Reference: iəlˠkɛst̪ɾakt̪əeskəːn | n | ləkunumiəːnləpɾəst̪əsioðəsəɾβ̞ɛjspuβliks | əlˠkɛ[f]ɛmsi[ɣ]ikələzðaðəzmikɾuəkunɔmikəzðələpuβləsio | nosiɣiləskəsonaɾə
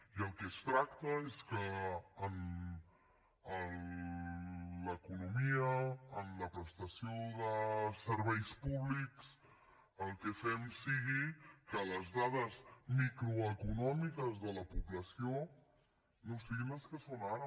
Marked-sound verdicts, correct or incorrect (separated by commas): correct, correct